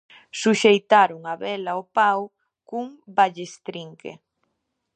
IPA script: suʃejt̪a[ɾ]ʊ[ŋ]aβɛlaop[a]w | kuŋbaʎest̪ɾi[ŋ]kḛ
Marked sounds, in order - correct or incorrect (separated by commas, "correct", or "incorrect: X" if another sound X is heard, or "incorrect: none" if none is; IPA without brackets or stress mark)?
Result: correct, correct, correct, correct